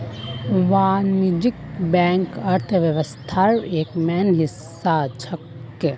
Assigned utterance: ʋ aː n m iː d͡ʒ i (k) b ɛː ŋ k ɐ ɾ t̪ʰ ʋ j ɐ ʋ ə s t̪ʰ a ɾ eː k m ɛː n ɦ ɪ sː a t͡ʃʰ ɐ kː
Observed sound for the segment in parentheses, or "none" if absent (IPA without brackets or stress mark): k